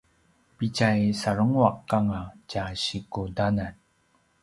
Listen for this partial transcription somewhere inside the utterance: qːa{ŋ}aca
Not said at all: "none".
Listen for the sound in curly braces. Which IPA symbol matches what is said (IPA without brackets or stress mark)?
ŋ